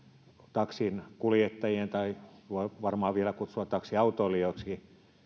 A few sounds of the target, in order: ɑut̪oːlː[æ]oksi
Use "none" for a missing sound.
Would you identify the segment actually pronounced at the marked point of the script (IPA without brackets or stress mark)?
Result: i